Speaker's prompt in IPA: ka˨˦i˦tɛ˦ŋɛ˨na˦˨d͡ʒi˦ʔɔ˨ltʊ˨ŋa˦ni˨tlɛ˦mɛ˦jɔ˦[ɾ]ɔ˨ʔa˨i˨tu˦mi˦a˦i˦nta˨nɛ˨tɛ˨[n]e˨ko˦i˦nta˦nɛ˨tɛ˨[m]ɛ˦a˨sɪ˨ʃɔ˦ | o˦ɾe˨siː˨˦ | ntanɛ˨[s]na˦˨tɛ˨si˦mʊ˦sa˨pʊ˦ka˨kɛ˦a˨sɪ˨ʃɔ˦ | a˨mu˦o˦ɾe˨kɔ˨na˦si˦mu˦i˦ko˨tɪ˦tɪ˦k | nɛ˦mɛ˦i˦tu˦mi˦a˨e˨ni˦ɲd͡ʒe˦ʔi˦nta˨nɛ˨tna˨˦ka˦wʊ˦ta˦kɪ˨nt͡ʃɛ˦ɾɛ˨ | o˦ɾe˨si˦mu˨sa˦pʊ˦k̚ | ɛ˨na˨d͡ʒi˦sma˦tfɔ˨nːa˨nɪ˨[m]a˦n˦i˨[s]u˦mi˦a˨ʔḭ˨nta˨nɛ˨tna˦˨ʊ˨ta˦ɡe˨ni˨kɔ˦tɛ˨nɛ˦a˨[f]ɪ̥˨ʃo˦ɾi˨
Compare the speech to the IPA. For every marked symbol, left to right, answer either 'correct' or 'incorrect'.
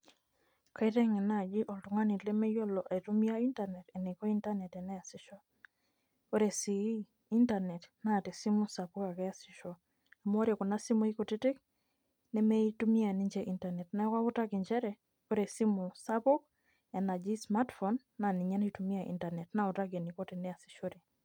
incorrect, correct, incorrect, incorrect, incorrect, incorrect, incorrect

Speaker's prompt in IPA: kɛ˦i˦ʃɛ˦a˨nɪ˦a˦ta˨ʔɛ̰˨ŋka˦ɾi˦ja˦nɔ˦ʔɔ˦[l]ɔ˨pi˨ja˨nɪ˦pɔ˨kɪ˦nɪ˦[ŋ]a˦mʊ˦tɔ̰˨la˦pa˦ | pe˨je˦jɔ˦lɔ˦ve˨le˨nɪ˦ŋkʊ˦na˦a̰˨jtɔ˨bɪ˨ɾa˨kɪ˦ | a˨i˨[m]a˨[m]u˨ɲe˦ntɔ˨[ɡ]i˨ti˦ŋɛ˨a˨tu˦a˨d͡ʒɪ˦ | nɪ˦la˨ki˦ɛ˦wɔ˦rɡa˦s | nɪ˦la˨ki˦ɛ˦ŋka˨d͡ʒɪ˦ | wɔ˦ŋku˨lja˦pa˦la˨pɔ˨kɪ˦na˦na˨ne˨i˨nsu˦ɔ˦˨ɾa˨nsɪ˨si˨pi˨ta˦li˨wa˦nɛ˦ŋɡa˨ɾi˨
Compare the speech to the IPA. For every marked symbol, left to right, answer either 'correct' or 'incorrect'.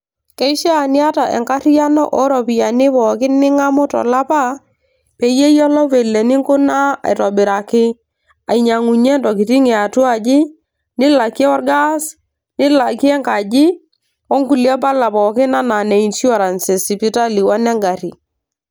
incorrect, correct, incorrect, incorrect, incorrect

